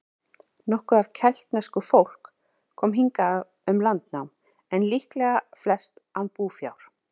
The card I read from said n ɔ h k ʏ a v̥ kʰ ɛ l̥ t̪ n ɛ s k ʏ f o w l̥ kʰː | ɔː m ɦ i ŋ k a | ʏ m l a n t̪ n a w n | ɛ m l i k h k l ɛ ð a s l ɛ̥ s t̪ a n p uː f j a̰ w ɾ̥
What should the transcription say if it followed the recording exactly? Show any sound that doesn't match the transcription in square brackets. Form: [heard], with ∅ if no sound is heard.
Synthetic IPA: n ɔ h k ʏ a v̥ [cʰ] ɛ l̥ t̪ n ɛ s k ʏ f o w l̥ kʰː | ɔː m ɦ i ŋ k a | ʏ m l a n t̪ n a w [m] | ɛ [n] l i [∅] h k l ɛ [ɣ] a [f] l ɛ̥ s t̪ a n p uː f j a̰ w ɾ̥